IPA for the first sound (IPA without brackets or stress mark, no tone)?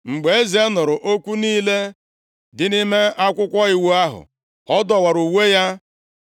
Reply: ŋ͡m̩